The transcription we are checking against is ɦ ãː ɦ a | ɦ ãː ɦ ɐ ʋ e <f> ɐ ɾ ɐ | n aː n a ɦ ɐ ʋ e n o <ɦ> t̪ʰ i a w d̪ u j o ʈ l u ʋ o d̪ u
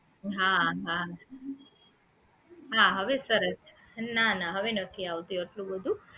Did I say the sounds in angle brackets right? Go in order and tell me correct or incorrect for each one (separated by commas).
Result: incorrect, incorrect